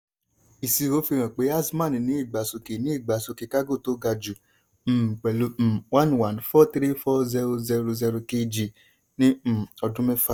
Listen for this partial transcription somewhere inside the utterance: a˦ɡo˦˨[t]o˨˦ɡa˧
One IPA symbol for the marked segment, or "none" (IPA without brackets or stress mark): t